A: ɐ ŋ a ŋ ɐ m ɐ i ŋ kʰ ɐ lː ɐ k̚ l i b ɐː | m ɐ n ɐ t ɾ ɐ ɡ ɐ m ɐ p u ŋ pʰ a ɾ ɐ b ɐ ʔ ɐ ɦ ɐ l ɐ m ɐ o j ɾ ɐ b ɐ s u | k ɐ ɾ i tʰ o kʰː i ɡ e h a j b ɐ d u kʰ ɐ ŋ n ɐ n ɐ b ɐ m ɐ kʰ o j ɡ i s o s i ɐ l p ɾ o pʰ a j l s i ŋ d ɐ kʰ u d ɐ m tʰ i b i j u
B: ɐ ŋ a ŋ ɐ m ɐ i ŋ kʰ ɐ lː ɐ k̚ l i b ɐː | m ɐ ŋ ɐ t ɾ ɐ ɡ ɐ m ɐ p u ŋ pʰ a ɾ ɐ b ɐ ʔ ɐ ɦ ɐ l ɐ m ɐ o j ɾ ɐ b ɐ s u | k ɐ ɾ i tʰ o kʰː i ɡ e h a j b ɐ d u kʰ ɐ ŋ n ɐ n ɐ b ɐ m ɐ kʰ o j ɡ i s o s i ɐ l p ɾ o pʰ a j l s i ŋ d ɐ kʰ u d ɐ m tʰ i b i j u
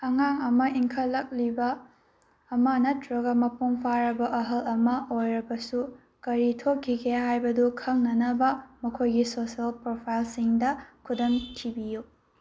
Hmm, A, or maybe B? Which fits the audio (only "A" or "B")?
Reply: A